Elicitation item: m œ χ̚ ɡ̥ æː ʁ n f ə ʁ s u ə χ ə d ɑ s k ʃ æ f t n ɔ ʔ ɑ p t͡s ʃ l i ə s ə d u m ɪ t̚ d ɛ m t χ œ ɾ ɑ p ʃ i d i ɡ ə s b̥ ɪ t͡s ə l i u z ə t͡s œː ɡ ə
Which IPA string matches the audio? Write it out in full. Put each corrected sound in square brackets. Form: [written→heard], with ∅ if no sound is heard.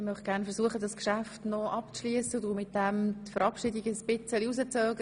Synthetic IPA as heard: m œ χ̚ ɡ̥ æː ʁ n f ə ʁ s u ə χ ə d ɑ s k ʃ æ f t n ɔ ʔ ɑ p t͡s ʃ l i ə s ə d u m ɪ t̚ d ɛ m t [χ→f] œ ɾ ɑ p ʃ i d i ɡ ə s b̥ ɪ t͡s ə l i u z ə t͡s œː ɡ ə